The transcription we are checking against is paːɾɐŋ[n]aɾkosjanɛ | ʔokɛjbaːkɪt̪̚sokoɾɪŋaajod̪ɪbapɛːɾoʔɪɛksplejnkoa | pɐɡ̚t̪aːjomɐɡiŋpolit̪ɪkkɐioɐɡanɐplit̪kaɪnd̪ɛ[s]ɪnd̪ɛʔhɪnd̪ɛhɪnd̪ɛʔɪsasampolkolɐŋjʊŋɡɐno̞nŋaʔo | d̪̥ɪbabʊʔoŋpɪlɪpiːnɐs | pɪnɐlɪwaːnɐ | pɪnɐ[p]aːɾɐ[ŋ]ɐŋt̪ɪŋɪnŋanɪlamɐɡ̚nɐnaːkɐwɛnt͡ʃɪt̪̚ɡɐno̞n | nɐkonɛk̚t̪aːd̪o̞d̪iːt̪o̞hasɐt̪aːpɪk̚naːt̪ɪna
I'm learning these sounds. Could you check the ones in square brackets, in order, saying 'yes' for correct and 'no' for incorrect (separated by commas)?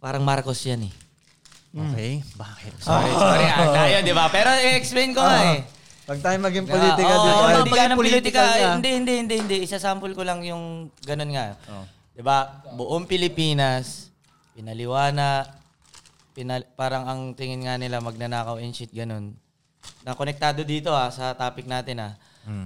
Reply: no, no, yes, yes